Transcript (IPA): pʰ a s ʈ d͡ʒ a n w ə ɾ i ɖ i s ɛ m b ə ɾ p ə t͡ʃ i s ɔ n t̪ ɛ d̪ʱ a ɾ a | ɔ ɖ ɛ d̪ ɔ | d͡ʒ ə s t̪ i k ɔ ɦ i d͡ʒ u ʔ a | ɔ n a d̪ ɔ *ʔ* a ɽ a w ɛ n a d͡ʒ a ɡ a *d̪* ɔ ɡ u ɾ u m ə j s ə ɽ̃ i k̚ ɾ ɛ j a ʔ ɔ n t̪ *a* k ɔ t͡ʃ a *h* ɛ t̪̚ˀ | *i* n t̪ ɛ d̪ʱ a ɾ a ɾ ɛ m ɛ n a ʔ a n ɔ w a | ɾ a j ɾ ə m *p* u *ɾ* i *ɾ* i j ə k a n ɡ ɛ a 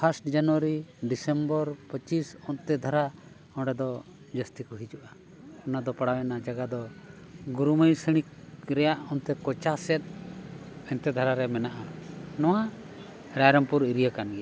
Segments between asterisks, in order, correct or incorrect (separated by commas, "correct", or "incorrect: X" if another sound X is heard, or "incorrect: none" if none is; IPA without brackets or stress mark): incorrect: p, correct, incorrect: ɛ, incorrect: s, incorrect: ɛ, correct, correct, correct